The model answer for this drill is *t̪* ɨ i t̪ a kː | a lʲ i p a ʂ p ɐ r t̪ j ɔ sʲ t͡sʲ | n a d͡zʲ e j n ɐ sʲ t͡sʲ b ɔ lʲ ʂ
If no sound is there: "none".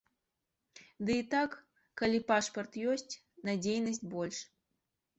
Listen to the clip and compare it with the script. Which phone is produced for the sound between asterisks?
d̪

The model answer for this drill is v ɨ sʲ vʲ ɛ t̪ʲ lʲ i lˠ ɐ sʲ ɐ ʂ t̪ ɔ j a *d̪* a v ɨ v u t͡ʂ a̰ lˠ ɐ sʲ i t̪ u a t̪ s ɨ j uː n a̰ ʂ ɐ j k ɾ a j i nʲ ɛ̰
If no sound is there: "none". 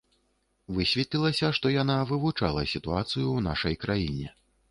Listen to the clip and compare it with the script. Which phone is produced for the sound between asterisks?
n̪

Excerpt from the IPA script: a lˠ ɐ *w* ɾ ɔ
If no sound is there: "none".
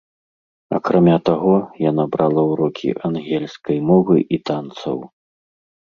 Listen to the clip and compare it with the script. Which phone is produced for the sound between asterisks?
w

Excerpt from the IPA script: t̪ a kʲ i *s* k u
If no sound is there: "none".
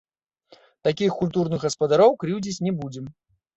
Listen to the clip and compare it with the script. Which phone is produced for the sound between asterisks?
x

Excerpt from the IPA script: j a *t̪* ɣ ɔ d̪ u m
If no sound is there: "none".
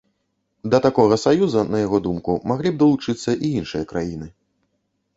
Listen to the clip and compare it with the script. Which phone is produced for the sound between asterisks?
none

